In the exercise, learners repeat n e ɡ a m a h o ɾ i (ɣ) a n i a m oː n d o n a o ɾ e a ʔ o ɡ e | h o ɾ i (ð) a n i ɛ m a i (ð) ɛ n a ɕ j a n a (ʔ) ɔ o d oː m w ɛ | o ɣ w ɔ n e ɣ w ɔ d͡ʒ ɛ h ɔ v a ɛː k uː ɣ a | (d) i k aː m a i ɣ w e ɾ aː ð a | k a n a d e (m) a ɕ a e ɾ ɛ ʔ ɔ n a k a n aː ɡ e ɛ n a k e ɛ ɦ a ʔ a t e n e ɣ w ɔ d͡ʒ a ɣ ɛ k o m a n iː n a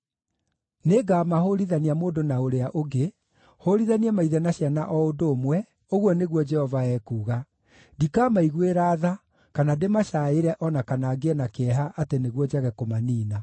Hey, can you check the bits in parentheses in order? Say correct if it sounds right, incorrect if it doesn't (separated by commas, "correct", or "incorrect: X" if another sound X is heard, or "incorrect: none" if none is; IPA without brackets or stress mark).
incorrect: ð, correct, correct, correct, correct, correct